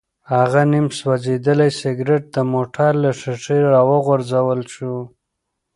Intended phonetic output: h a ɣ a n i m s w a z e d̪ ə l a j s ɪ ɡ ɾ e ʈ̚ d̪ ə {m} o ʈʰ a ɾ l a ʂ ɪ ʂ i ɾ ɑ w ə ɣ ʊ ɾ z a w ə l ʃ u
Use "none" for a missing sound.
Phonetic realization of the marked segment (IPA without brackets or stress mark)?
m